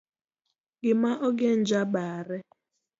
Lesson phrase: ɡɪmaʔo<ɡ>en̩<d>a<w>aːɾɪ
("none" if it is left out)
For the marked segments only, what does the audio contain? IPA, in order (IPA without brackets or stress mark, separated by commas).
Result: ɡ, d͡ʒ, b